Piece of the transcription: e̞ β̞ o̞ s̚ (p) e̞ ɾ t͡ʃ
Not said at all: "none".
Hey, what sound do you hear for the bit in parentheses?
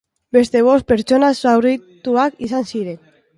p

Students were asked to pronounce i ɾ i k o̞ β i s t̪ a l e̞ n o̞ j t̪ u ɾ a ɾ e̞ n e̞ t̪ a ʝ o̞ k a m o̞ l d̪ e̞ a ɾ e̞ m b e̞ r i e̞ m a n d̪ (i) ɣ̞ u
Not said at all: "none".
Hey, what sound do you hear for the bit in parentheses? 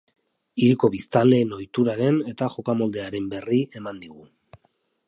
i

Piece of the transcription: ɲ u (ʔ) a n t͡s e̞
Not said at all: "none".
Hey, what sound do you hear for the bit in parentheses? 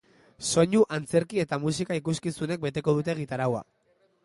ʔ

